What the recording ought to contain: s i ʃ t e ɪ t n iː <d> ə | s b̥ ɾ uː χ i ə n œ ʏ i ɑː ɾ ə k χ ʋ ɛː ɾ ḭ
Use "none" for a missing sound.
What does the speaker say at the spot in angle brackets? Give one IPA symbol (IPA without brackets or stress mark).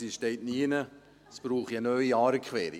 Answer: n